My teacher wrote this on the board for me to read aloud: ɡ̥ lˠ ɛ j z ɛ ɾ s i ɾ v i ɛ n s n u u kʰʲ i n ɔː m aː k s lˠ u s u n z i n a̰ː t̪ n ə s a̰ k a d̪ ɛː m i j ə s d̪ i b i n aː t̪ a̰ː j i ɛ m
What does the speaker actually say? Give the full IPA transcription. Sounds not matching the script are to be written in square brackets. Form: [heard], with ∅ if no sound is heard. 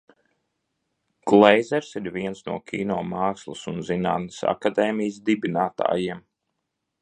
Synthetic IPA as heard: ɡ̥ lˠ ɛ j z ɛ ɾ s i ɾ v i ɛ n s n u [ɔ] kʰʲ [iː] n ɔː m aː k s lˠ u s u n z i n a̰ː t̪ n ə s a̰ k a d̪ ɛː m i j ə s d̪ i b i n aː t̪ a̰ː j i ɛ m

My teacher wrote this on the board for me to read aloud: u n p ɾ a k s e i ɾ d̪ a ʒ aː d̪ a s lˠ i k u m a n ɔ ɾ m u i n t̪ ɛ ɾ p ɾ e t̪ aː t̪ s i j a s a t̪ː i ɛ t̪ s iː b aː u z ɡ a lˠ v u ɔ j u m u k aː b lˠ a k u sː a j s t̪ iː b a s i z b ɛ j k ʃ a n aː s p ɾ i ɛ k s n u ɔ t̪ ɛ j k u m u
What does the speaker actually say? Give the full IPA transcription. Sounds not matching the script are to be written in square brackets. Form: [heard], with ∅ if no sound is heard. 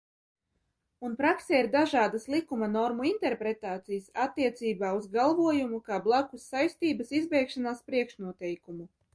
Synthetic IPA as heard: u n p ɾ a k s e i ɾ d̪ a ʒ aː d̪ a s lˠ i k u m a n ɔ ɾ m u i n t̪ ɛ ɾ p ɾ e t̪ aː t̪ s i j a s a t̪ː i ɛ t̪ s iː b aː u z ɡ a lˠ v u ɔ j u m u k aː b lˠ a k u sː a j s t̪ iː b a s i z b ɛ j k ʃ a n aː s p ɾ i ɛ k [ʃ] n u ɔ t̪ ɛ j k u m u

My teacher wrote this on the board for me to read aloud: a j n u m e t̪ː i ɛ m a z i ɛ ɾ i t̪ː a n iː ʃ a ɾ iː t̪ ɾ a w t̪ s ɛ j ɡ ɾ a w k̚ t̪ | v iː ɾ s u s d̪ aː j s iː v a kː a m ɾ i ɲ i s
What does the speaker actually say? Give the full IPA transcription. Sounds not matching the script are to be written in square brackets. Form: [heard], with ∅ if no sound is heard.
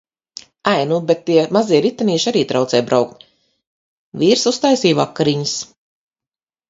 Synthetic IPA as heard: a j n u [b] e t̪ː i ɛ m a z i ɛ ɾ i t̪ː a n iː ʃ a ɾ iː t̪ ɾ a w t̪ s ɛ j [b] ɾ a w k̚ t̪ | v iː ɾ s u s [t̪] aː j s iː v a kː a [∅] ɾ i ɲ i s

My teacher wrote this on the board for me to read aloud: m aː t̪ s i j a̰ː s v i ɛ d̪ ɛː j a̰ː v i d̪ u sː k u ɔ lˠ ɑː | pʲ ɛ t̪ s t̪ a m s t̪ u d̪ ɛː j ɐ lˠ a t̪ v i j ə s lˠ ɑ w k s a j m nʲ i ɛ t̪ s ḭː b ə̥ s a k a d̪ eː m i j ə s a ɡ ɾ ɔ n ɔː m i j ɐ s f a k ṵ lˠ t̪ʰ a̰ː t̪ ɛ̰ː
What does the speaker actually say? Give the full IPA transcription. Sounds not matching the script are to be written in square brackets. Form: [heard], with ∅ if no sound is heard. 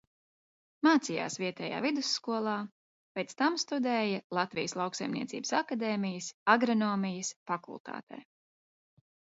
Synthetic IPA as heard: m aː t̪ s i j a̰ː s v i ɛ [t̪] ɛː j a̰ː v i d̪ u sː k u ɔ lˠ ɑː | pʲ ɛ t̪ s t̪ a m s t̪ u d̪ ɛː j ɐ lˠ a t̪ v i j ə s lˠ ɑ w k s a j m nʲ i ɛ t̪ s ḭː b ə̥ s a k a d̪ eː m i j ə s a ɡ ɾ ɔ n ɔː m i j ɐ s f a k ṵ lˠ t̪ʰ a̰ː t̪ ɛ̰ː

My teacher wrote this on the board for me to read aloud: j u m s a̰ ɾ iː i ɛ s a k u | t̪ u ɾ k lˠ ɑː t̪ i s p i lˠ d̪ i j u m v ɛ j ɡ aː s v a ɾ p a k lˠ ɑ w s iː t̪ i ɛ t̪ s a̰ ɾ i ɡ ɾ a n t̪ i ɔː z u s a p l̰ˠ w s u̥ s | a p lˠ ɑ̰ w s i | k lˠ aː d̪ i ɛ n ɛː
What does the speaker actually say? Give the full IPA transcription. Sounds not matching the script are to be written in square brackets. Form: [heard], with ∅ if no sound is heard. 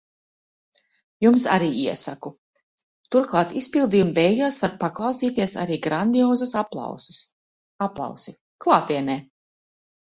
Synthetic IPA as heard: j u m s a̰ ɾ iː i ɛ s a k u | t̪ u ɾ k lˠ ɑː t̪ i s p i lˠ d̪ i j u m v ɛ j ɡ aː s v a ɾ p a k lˠ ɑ w s iː t̪ i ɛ [∅] s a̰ ɾ [iː] ɡ ɾ a n [d̪] i ɔː z u s a p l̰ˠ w s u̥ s | a p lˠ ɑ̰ w s i | k lˠ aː [t̪] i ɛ n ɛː

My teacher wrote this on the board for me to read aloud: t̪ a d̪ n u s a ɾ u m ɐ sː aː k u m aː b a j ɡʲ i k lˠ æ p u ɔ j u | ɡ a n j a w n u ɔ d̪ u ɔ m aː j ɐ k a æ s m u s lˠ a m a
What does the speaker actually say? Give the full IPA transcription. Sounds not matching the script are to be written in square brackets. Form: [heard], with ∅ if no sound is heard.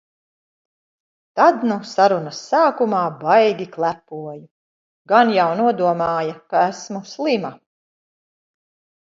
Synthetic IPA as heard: t̪ a d̪ n u s a ɾ u [n] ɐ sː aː k u m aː b a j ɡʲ i k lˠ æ p u ɔ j u | ɡ a n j a w n u ɔ d̪ u ɔ m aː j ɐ k a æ s m u s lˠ [i] m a

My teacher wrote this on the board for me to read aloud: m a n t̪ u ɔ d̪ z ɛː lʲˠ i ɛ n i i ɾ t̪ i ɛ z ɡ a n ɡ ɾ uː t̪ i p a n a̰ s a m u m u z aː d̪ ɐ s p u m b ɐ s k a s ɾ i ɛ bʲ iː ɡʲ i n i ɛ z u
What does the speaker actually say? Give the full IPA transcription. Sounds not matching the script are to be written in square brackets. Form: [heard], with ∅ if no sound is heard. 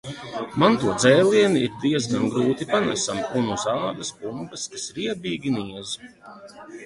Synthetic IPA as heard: m a n t̪ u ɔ d̪ z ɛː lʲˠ i ɛ n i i ɾ [d̪] i ɛ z ɡ a n ɡ ɾ uː t̪ i p a n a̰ s a m u [n] u z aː d̪ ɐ s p u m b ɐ s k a s ɾ i ɛ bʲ iː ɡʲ i n i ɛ z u

